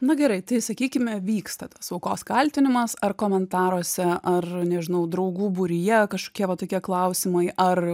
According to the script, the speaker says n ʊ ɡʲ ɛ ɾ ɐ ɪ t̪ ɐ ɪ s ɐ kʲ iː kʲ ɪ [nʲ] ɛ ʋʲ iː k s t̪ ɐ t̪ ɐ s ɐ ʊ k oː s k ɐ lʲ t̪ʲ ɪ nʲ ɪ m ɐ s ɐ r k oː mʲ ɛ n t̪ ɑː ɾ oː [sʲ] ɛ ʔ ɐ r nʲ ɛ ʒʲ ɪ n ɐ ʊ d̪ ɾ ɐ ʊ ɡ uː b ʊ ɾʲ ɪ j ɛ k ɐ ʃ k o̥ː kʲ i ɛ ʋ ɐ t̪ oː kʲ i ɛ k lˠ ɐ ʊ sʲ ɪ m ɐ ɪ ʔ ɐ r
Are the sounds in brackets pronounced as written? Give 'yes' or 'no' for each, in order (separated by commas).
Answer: no, yes